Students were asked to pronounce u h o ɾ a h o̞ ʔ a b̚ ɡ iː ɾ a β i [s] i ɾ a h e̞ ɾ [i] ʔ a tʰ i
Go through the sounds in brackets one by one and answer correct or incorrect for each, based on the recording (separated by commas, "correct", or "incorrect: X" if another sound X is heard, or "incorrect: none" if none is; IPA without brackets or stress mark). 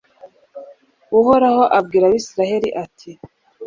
correct, correct